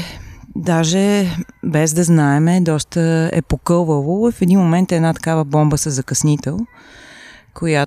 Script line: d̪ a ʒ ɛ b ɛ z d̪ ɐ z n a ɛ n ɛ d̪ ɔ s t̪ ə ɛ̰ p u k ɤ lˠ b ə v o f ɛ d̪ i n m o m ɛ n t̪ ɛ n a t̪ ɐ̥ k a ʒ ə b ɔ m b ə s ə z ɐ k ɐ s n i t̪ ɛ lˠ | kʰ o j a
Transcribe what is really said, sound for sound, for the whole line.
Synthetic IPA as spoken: d̪ a ʒ ɛ b ɛ z d̪ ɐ z n a ɛ m ɛ d̪ ɔ s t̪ ə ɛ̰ p o k ɤ lˠ v ə v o f ɛ d̪ i n m o m ɛ n t̪ ɛ n a t̪ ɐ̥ k a v ə b ɔ m b ə s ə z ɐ k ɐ s n i t̪ ɛ lˠ | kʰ o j a